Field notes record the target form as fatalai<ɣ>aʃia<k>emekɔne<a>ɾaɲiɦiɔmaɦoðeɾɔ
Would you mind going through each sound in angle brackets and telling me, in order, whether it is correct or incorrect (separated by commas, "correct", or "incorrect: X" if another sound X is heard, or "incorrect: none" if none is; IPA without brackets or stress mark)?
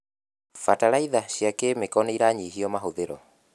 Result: incorrect: ð, correct, incorrect: i